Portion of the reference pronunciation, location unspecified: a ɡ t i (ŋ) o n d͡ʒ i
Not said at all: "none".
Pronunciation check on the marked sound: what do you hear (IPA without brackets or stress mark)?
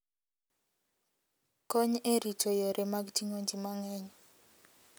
ŋ